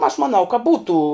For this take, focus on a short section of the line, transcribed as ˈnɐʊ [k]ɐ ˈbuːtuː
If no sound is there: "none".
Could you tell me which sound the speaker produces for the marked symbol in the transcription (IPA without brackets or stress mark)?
k